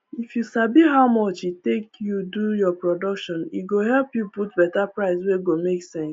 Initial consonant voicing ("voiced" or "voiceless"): voiceless